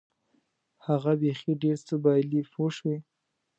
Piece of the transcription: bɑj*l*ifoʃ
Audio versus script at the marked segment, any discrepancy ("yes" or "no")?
no